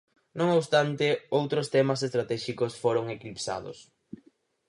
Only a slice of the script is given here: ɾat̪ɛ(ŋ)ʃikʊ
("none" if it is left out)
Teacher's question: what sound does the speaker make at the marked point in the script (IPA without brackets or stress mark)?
none